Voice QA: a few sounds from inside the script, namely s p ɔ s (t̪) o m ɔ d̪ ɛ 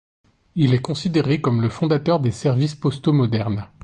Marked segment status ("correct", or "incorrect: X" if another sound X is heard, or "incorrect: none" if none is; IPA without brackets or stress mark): correct